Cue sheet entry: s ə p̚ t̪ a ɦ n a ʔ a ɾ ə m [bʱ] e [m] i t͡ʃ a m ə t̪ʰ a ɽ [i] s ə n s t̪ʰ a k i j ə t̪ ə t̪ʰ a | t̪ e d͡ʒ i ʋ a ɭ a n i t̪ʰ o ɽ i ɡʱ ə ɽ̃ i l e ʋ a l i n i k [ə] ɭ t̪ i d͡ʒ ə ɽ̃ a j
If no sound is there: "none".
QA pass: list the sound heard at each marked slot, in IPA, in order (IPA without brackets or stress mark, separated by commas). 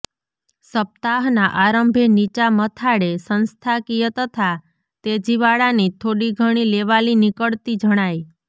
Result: bʱ, n, e, ə